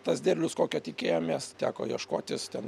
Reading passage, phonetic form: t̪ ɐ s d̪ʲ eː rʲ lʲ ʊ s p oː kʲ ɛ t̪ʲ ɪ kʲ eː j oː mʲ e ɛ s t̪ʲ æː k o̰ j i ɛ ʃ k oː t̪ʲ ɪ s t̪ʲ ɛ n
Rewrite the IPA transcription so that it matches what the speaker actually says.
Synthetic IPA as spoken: t̪ ɐ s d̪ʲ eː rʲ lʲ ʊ s k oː kʲ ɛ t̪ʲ ɪ kʲ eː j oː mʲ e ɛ s t̪ʲ æː k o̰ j i ɛ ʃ k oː t̪ʲ ɪ s t̪ʲ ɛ n